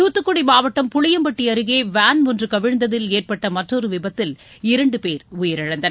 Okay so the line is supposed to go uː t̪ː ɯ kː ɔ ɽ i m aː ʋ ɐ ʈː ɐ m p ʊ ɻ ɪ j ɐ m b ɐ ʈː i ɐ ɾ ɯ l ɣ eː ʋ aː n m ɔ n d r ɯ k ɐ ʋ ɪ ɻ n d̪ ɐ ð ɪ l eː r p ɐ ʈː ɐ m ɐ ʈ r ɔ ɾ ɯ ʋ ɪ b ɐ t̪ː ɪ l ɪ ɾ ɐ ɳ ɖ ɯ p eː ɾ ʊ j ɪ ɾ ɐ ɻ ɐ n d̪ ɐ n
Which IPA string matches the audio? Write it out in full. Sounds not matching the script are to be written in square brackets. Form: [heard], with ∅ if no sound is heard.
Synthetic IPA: uː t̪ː ɯ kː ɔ ɽ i m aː ʋ ɐ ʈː ɐ m p ʊ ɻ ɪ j ɐ m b ɐ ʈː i ɐ ɾ ɯ [∅] ɣ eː ʋ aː n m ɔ n d r ɯ k ɐ ʋ ɪ ɻ n d̪ ɐ ð ɪ l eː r p ɐ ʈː ɐ m ɐ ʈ r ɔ ɾ ɯ ʋ ɪ b ɐ t̪ː ɪ l ɪ ɾ ɐ ɳ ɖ ɯ p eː ɾ ʊ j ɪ ɾ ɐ ɻ ɐ n d̪ ɐ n